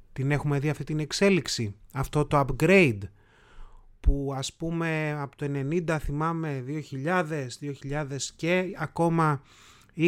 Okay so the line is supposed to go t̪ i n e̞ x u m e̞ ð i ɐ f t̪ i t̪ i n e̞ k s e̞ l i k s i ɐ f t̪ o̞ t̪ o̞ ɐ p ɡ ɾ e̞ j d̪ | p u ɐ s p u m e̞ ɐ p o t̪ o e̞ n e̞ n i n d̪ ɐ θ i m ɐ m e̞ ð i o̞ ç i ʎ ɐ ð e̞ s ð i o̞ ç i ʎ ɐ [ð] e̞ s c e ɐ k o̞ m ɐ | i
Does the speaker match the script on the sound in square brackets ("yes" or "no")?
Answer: yes